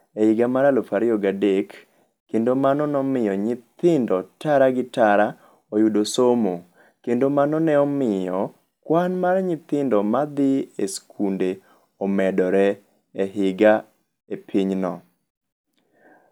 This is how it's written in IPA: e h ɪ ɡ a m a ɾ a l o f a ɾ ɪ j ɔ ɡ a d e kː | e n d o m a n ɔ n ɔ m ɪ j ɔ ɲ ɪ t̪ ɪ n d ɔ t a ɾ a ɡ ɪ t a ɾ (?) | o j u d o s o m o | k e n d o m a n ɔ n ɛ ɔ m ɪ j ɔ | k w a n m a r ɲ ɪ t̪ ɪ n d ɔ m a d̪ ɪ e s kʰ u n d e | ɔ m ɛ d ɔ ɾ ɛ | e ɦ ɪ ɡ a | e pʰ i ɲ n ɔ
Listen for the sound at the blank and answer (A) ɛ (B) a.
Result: B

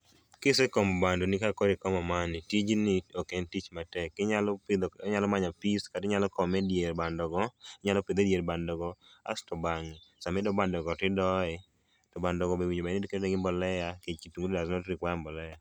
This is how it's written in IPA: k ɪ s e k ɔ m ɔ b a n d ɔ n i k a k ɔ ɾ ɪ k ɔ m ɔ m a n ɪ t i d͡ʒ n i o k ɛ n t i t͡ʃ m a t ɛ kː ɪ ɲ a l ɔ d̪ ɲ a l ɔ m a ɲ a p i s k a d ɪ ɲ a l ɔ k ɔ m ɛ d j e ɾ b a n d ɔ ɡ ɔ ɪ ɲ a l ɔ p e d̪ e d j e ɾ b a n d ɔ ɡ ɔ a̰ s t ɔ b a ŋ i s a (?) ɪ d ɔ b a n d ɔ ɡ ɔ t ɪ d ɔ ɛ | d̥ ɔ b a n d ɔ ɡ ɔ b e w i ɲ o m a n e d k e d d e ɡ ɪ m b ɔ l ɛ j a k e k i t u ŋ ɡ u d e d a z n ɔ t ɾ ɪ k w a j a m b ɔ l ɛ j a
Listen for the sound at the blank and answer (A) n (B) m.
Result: B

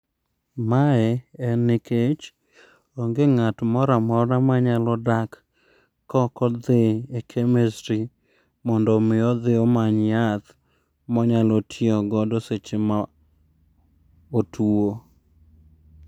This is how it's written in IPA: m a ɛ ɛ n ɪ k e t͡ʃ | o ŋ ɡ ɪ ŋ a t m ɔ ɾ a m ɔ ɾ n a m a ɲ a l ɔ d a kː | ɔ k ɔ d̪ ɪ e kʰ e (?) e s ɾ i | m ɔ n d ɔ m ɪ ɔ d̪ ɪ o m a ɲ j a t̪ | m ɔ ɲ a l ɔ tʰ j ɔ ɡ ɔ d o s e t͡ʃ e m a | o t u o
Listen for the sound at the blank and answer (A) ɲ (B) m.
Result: B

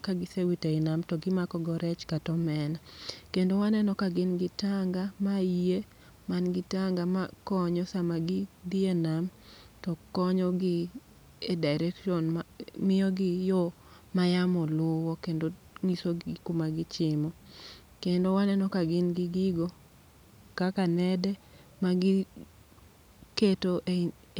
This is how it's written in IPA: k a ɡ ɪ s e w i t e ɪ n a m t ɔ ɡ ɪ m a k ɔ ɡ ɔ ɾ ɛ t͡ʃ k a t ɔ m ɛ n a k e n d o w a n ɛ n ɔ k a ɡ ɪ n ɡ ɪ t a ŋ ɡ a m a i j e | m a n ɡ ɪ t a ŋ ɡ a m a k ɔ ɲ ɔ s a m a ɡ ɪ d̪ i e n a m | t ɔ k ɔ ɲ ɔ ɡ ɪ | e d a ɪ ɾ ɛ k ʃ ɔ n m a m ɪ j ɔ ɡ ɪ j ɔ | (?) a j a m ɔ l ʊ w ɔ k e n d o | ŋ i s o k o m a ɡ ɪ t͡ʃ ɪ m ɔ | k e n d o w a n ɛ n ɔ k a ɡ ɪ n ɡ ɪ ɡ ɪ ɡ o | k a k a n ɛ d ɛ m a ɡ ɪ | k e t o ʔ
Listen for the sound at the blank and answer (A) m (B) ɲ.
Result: A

